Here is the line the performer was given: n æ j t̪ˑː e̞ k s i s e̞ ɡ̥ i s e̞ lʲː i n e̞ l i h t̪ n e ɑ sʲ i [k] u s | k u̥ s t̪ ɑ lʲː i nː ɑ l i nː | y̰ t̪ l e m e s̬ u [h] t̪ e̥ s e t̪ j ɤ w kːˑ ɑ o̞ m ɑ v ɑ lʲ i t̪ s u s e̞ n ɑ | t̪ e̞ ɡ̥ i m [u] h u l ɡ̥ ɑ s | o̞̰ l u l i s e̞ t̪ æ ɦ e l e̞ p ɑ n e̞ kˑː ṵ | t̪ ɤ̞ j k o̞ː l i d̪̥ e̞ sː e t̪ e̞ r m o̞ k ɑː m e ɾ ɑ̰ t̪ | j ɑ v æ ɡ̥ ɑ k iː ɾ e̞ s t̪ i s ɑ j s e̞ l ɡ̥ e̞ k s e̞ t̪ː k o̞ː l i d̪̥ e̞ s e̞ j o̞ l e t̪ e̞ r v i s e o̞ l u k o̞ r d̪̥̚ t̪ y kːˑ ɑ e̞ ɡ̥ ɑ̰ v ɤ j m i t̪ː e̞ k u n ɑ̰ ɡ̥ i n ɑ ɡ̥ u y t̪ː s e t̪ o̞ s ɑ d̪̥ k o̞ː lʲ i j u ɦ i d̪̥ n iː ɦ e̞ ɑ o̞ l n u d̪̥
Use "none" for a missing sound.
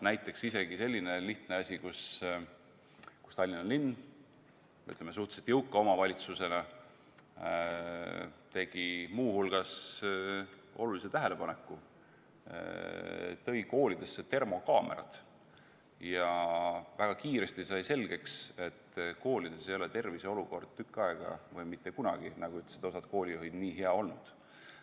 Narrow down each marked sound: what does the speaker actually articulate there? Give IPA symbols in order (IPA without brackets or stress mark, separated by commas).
k, h, uː